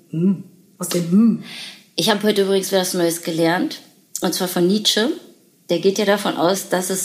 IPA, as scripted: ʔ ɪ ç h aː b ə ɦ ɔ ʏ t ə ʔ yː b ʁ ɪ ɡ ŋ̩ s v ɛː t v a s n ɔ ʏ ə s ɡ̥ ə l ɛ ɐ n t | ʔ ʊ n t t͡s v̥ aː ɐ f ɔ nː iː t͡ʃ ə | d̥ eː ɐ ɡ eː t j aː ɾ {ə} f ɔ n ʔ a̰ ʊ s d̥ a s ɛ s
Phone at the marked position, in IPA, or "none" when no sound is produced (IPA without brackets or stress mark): a